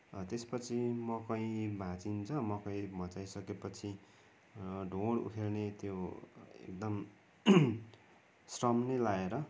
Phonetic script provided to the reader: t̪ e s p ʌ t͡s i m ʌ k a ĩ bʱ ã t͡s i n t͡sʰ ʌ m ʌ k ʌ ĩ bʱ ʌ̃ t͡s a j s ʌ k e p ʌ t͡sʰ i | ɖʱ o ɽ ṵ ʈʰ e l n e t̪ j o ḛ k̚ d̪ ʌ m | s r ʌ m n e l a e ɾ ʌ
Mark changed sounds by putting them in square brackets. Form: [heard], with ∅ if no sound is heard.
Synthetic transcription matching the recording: t̪ e s p ʌ [t͡sʰ] i m ʌ k [ʌ] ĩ bʱ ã t͡s i n t͡sʰ ʌ m ʌ k ʌ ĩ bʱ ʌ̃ t͡s a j s ʌ k e p ʌ t͡sʰ i | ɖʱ o ɽ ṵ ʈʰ e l n e t̪ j o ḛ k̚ d̪ ʌ m | s r ʌ m n e l a e ɾ ʌ